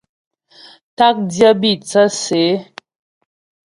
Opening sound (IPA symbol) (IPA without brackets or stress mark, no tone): t